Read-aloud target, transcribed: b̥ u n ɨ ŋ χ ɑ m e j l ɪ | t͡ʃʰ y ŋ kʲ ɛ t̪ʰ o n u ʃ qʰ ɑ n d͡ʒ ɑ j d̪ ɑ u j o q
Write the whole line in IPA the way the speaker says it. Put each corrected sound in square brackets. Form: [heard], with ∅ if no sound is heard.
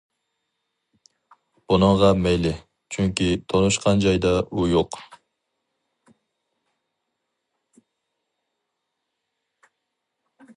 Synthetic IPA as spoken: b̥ u n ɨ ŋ [ʁ] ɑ m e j l ɪ | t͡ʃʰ y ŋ kʲ [i] t̪ʰ o n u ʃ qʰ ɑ n d͡ʒ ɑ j d̪ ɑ u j o q